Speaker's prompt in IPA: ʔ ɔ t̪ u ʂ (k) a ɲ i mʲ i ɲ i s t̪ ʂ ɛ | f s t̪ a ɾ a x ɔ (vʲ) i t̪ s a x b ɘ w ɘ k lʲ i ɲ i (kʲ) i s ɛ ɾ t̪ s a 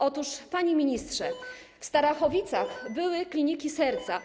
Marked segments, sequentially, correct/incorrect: incorrect: p, correct, correct

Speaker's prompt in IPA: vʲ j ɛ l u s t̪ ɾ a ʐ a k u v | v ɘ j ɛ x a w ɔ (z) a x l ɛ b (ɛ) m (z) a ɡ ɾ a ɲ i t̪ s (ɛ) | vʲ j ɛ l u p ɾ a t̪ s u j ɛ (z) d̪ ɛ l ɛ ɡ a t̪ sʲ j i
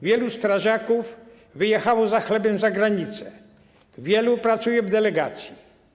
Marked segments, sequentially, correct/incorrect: correct, correct, correct, correct, incorrect: v

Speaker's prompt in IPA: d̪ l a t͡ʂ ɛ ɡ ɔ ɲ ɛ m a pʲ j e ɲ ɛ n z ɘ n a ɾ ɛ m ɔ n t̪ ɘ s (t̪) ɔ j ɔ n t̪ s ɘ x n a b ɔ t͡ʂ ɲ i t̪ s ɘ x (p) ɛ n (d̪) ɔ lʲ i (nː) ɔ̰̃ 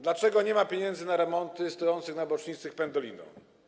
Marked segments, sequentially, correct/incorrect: correct, correct, correct, incorrect: n

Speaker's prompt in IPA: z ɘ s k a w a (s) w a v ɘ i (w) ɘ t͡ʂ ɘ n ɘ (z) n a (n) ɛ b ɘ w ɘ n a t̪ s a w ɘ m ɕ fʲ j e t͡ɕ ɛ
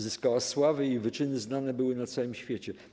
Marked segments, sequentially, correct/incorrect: correct, incorrect: v, correct, correct

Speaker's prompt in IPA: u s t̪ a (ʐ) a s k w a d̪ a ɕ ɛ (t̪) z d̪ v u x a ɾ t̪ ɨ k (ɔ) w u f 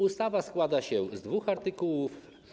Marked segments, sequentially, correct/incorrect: incorrect: v, incorrect: none, incorrect: u

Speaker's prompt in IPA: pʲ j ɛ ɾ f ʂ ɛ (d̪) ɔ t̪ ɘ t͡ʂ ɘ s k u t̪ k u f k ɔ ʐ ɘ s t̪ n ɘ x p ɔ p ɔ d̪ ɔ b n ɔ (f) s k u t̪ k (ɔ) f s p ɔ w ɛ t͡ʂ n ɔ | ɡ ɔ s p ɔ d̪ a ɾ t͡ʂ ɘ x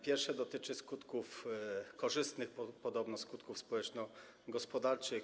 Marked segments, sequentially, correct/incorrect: correct, incorrect: none, incorrect: u

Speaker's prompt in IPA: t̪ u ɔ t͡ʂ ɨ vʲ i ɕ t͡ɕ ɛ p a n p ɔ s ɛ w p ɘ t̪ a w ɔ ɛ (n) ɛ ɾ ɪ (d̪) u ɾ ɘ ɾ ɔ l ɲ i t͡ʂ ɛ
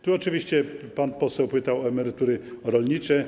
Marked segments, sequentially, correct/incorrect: incorrect: m, incorrect: t̪

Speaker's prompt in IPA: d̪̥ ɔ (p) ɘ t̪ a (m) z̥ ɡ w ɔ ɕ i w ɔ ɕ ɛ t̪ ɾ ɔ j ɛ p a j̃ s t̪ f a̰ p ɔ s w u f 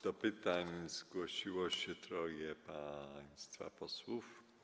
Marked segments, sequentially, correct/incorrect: correct, incorrect: ɲ

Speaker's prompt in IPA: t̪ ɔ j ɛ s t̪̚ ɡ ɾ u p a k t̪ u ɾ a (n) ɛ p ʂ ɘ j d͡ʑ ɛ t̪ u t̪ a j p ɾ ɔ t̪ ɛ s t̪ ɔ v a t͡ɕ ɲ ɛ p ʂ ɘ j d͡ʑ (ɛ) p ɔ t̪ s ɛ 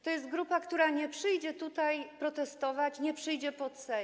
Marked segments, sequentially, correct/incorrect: incorrect: ɲ, correct

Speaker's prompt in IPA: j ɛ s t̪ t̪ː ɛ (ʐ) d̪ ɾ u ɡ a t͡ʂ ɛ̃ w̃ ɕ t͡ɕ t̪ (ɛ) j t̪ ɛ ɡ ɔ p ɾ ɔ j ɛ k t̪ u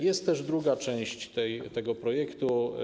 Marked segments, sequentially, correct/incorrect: correct, correct

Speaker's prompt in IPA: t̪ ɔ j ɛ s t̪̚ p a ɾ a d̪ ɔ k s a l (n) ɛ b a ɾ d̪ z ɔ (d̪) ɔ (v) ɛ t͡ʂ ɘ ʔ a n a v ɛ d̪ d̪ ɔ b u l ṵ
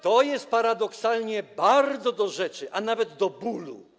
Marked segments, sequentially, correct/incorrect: incorrect: ɲ, correct, incorrect: ʐ

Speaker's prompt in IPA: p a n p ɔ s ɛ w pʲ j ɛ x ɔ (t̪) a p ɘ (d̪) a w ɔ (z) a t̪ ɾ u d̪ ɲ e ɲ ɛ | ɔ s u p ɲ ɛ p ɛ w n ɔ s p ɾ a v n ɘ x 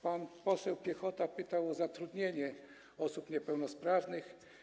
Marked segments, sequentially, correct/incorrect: correct, incorrect: t̪, correct

